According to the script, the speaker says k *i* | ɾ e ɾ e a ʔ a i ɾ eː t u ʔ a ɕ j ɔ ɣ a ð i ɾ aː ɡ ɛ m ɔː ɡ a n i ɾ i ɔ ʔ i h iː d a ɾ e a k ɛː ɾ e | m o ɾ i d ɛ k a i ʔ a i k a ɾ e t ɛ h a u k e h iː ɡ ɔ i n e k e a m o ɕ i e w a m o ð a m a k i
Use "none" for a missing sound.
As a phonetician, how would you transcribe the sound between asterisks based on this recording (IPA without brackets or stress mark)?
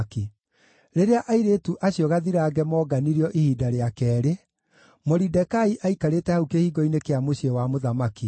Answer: i